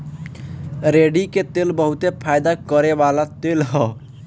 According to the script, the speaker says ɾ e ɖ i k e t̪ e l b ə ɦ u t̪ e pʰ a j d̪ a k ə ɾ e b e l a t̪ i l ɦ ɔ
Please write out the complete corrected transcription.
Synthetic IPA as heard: ɾ e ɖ i k e t̪ e l b ə ɦ u t̪ e pʰ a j d̪ a k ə ɾ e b a l a t̪ e l ɦ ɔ